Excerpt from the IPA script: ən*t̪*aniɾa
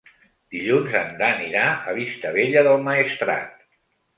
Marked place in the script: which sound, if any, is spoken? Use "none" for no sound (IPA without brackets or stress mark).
d̪